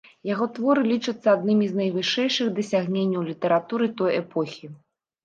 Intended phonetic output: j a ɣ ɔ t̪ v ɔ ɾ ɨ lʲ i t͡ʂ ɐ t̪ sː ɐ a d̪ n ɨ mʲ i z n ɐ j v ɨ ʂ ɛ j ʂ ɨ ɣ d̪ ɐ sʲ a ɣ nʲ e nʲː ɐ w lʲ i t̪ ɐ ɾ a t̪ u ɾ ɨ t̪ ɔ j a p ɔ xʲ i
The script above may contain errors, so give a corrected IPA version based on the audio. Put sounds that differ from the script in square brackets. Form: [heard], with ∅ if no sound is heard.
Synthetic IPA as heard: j a ɣ ɔ t̪ v ɔ ɾ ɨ lʲ i t͡ʂ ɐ t̪ sː ɐ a d̪ n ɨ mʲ i z n ɐ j v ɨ ʂ ɛ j ʂ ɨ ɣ d̪ ɐ sʲ a ɣ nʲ e nʲː ɐ w lʲ i t̪ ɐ ɾ a t̪ u ɾ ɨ t̪ ɔ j [ɛ] p ɔ xʲ i